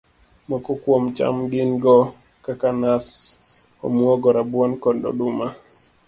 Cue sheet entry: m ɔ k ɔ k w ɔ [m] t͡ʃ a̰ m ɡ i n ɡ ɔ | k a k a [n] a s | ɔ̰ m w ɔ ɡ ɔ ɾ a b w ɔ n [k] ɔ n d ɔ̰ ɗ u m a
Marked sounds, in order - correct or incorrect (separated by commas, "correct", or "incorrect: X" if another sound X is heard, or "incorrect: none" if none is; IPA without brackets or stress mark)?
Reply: correct, correct, correct